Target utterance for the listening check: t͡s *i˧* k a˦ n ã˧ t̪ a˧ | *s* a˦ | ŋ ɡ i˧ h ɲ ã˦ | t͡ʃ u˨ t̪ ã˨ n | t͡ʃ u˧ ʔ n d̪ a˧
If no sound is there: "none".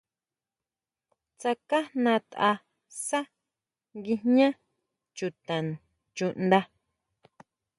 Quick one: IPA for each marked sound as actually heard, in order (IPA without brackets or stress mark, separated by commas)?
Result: a˧, s